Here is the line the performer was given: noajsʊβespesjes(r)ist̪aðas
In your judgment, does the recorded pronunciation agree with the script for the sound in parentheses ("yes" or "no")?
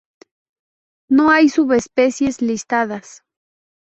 no